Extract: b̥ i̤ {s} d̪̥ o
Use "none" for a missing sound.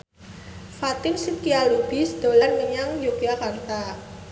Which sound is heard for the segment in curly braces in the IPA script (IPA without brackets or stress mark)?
s